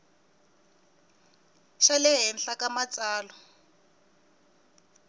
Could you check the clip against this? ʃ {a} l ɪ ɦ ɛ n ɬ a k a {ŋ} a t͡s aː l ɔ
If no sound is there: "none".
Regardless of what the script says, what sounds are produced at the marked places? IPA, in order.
a, m

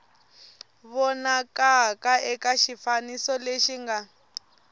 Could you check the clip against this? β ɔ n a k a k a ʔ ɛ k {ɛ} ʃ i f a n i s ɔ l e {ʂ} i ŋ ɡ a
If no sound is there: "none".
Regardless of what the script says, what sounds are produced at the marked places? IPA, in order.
a, ʃ

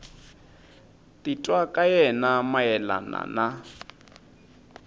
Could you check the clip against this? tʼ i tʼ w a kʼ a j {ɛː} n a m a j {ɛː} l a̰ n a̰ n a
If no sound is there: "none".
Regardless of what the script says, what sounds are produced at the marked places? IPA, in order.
ɛ, ɛ

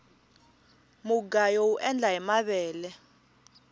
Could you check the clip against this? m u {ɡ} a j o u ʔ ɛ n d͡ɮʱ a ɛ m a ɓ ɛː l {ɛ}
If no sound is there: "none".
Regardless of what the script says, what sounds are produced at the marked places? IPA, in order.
ɡ, ɛ

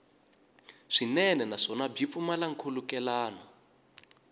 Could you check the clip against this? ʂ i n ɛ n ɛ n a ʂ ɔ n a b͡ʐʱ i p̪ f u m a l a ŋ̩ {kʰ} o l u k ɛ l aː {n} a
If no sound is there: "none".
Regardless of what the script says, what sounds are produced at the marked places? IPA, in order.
kʰ, n

